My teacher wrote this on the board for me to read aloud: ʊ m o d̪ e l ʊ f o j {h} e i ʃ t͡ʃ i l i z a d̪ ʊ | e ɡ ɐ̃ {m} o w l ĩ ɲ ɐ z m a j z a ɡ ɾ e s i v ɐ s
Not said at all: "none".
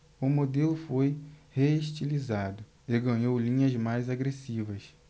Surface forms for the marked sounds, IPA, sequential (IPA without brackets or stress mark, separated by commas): h, ɲ